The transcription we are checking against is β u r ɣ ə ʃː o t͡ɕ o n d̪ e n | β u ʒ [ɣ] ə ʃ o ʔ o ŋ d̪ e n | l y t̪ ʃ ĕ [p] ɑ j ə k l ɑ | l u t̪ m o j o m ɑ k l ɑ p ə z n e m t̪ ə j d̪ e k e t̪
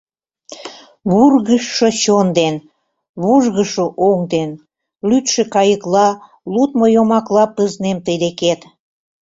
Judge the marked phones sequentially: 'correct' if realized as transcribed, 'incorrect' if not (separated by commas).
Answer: correct, incorrect